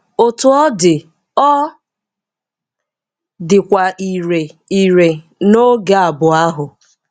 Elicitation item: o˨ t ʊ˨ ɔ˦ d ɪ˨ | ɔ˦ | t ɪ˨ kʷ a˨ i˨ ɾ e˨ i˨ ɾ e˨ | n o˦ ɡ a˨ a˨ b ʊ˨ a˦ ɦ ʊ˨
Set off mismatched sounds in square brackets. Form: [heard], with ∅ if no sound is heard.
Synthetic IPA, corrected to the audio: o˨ t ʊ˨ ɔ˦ d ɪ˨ | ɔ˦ | [d] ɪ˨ kʷ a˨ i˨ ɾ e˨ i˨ ɾ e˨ | n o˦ ɡ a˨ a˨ b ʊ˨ a˦ ɦ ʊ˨